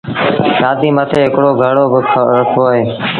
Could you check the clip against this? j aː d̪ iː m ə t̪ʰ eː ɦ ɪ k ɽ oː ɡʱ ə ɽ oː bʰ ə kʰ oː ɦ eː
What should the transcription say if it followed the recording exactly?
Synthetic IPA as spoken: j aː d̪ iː m ə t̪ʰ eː ɦ ɪ k ɽ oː ɡʱ ə ɽ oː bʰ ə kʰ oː ɦ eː